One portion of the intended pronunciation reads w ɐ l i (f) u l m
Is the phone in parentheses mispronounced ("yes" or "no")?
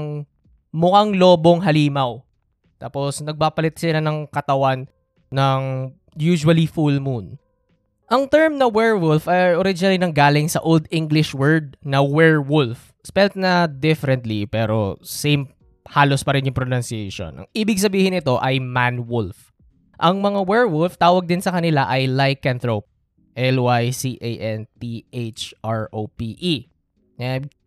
no